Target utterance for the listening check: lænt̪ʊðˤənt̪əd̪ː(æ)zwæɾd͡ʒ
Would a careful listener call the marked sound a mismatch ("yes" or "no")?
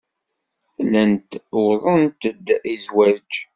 yes